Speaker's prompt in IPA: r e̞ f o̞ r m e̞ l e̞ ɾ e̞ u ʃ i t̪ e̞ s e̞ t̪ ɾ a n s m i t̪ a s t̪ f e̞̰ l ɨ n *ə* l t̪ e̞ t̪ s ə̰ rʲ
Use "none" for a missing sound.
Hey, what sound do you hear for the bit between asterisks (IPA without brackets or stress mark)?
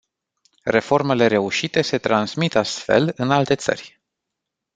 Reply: a